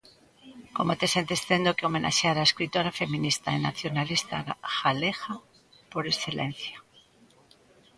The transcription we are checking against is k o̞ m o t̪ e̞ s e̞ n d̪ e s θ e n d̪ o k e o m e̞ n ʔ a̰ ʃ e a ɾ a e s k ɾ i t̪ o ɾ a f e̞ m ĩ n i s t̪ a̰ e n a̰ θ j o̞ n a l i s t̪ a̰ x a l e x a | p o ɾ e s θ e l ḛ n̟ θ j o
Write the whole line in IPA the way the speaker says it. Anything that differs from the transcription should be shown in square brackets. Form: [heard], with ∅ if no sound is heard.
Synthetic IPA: k o̞ m o t̪ e̞ s e̞ n [t̪] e s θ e n d̪ o k e o m e̞ n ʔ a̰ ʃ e a ɾ a e s k ɾ i t̪ o ɾ a f e̞ m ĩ n i s t̪ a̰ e n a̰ θ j o̞ n a l i s t̪ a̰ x a l e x a | p o ɾ e s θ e l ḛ n̟ θ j o